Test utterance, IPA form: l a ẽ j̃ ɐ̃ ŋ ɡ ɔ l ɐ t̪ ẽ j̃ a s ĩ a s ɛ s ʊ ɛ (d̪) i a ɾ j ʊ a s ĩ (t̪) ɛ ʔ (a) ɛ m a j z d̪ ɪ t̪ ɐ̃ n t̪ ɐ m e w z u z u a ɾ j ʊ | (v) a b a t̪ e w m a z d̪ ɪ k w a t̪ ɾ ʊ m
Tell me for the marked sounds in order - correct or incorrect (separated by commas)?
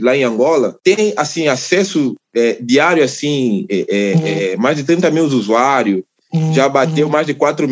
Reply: correct, incorrect, incorrect, incorrect